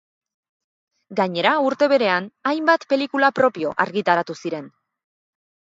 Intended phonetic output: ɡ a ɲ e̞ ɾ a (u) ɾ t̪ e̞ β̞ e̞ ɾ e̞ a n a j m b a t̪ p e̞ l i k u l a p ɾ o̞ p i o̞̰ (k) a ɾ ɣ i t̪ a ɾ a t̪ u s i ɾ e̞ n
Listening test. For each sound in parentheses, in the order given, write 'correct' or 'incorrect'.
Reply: correct, incorrect: ʔ

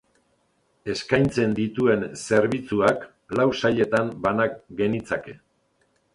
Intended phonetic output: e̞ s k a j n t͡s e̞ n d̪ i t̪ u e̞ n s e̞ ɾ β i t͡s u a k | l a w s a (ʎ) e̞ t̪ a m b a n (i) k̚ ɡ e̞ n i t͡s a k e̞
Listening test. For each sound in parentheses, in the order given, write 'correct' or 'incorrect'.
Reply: correct, incorrect: a

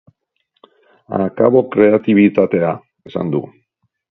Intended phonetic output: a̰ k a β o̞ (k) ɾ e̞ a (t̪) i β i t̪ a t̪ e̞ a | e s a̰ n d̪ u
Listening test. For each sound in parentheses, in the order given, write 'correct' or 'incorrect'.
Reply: correct, correct

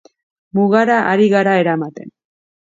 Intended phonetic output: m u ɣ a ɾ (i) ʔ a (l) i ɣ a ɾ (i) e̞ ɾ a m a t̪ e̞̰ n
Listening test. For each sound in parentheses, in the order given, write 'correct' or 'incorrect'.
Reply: incorrect: a, incorrect: ɾ, incorrect: a

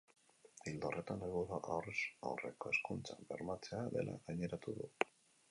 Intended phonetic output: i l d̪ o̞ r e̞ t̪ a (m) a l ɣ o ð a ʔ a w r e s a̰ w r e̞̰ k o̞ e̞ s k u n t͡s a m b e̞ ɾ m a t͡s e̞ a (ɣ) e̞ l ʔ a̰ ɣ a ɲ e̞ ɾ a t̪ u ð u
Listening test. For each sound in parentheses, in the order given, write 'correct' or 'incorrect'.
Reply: incorrect: n, incorrect: ð

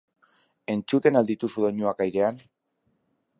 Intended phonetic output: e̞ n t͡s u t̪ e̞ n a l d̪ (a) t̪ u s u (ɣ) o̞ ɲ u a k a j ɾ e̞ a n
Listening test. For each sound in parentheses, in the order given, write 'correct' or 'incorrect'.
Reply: incorrect: i, incorrect: ð

